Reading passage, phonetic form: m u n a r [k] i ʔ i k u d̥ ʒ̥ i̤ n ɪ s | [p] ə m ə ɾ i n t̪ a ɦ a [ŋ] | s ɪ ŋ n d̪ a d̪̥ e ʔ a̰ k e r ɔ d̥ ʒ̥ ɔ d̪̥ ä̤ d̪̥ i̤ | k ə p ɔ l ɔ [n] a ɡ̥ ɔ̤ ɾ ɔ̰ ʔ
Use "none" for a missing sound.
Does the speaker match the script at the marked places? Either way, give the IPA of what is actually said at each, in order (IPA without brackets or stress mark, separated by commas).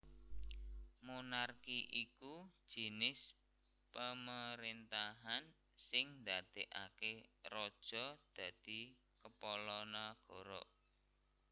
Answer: k, p, n, n